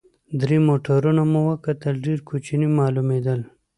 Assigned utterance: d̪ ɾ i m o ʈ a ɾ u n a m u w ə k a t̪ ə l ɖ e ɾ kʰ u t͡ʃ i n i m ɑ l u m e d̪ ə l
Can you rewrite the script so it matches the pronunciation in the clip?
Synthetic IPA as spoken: d̪ ɾ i m o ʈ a ɾ u n a m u w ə k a t̪ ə l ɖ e ɾ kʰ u t͡ʃ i n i m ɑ l u m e d̪ ə l

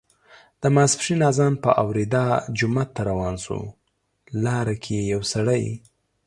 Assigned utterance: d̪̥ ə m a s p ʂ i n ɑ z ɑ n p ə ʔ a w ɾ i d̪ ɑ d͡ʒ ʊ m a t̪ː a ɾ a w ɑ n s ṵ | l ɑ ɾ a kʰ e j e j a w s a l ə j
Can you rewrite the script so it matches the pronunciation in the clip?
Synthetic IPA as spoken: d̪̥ ə m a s p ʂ i n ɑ z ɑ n p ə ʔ a w ɾ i d̪ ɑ d͡ʒ ʊ m a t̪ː a ɾ a w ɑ n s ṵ | l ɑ ɾ a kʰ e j e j a w s a ɽ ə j

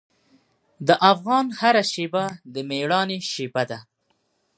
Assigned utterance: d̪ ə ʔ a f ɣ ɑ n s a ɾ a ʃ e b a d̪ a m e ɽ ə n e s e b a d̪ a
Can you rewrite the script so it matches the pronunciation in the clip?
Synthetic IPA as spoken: d̪ ə ʔ a f ɣ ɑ n h a ɾ a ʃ e b a d̪ ə m e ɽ ɑ n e ʃ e b a d̪ a

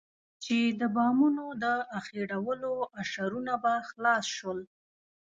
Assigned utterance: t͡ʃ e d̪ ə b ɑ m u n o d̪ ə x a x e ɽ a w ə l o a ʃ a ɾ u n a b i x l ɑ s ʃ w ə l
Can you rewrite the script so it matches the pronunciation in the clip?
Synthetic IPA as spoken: t͡ʃ e d̪ ə b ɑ m u n o d̪ ə a x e ɽ a w ə l o a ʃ a ɾ u n a b a x l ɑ s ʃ w ə l

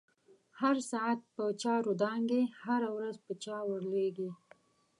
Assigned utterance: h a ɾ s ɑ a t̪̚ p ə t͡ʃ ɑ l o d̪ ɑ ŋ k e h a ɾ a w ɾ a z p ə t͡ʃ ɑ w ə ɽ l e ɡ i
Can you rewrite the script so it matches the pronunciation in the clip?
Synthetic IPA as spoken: h a ɾ s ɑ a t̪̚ p ə t͡ʃ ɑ ɾ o d̪ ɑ ŋ ɡ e h a ɾ a w ɾ a z p ə t͡ʃ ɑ w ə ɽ l e ɡ i

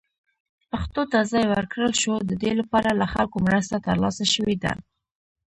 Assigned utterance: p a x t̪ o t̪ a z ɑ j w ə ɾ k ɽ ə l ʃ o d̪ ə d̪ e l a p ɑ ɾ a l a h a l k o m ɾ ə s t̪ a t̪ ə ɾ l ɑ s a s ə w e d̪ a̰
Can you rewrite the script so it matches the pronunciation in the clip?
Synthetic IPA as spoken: p a x t̪ o t̪ a z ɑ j w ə ɾ k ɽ ə l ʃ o d̪ ə d̪ e l a p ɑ ɾ a l a x a l k o m ɾ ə s t̪ a t̪ ə ɾ l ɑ s a ʃ ə w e d̪ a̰

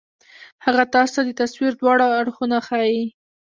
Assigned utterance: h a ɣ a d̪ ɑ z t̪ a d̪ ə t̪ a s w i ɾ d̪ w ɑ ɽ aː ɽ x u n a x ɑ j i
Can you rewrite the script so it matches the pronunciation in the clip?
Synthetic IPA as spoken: h a ɣ a t̪ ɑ s t̪ a d̪ ə t̪ a s w i ɾ d̪ w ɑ ɽ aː ɽ x u n a x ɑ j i

